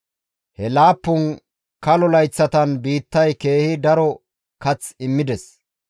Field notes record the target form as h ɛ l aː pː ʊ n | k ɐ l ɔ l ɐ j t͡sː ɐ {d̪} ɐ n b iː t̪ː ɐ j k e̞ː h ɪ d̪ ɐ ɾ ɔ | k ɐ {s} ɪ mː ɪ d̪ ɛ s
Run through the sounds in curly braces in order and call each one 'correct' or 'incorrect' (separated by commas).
incorrect, incorrect